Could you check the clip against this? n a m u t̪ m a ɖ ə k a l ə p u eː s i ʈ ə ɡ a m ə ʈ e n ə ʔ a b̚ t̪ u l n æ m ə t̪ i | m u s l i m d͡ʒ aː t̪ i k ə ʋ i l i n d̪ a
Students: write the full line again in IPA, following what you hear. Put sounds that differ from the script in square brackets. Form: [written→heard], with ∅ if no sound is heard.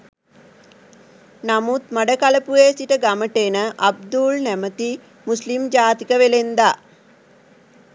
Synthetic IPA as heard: n a m u t̪ m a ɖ ə k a l ə p u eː s i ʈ ə ɡ a m ə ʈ e n ə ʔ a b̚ [t̪→d̪] u l n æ m ə t̪ i | m u s l i m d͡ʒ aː t̪ i k ə ʋ [i→e] l [i→e] n d̪ a